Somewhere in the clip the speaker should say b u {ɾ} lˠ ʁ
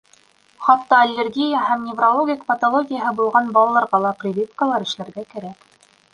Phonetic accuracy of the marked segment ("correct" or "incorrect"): incorrect